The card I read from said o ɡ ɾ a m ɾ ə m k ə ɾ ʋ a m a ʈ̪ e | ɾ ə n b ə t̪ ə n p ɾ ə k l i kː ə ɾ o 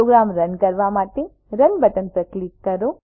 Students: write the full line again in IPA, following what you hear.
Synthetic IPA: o ɡ ɾ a m ɾ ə n k ə ɾ ʋ a m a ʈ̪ e | ɾ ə n b ə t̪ ə n p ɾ ə k l i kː ə ɾ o

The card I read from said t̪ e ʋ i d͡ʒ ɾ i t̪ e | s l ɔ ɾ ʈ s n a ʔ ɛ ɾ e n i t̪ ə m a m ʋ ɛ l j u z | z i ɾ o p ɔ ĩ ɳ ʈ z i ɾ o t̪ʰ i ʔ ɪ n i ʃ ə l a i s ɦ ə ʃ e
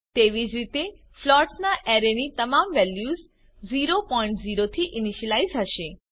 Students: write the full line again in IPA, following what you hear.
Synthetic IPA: t̪ e ʋ i d͡ʒ ɾ i t̪ e | f l ɔ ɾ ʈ s n a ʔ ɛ ɾ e n i t̪ ə m a m ʋ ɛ l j u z | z i ɾ o p ɔ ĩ ɳ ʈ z i ɾ o t̪ʰ i ʔ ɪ n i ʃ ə l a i z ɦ ə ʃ e

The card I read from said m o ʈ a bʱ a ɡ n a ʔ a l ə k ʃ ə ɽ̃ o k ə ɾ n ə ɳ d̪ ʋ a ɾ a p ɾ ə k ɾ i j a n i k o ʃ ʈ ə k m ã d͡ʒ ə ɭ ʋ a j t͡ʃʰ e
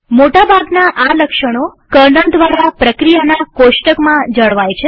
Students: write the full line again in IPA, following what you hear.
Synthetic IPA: m o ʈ a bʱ a ɡ n a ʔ a l ə k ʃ ə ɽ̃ o k ə ɾ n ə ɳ d̪ ʋ a ɾ a p ɾ ə k ɾ i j a n a k o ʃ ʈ ə k m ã d͡ʒ ə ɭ ʋ a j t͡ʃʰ e

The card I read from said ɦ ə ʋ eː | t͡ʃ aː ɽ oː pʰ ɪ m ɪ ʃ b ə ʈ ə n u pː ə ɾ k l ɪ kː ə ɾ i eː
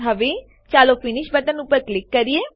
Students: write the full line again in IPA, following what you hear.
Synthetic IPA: ɦ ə ʋ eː | t͡ʃ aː l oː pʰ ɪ n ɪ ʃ b ə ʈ ə n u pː ə ɾ k l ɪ kː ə ɾ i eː

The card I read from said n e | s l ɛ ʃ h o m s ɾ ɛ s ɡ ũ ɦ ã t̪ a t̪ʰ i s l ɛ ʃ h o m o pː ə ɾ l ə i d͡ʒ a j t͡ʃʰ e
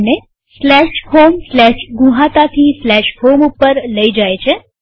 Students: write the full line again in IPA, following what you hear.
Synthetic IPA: n e | s l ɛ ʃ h o m s l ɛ ʃ ɡ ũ ɦ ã t̪ a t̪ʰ i s l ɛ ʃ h o m u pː ə ɾ l ə i d͡ʒ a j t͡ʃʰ e

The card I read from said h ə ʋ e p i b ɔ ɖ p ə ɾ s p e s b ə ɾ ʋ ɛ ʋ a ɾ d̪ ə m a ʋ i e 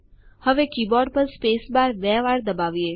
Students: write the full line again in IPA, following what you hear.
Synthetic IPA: h ə ʋ e k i b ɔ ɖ p ə ɾ s p e s b a ɾ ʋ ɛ ʋ a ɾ d̪ ə b a ʋ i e

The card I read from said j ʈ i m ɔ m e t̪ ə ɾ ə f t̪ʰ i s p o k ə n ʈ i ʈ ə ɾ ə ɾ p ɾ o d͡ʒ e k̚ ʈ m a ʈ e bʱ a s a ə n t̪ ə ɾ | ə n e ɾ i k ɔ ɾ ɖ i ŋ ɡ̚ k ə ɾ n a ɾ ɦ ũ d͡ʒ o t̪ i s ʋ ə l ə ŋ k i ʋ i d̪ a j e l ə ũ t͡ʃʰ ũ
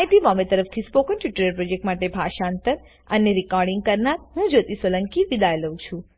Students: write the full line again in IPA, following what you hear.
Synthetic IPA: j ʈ i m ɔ m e t̪ ə ɾ ə f t̪ʰ i s p o k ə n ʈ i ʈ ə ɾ ə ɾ p ɾ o d͡ʒ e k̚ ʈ m a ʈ e bʱ a ʃ a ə n t̪ ə ɾ | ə n e ɾ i k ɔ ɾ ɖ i ŋ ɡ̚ k ə ɾ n a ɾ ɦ ũ d͡ʒ o t̪ i s ʋ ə l ə ŋ k i ʋ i d̪ a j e l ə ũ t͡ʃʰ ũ

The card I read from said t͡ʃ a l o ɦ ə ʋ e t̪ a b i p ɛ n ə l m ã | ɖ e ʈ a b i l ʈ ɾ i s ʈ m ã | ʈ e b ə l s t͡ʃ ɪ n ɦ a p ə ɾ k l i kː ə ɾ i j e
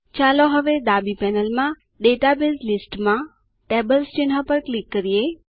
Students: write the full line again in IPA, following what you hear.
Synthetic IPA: t͡ʃ a l o ɦ ə ʋ e d̪ a b i p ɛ n ə l m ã | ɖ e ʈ a b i l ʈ l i s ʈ m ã | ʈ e b ə l s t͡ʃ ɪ n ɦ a p ə ɾ k l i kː ə ɾ i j e

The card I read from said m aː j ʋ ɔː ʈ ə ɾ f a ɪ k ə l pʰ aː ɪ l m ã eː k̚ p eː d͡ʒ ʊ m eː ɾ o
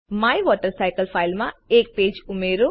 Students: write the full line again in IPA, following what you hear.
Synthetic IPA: m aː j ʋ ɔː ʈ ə ɾ s a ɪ k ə l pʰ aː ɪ l m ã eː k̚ p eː d͡ʒ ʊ m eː ɾ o

